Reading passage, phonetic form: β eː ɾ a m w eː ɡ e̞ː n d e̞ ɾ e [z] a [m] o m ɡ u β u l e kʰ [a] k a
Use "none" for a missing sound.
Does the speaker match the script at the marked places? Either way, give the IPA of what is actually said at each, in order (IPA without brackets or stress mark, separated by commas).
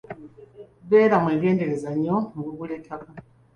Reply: z, ɲ, a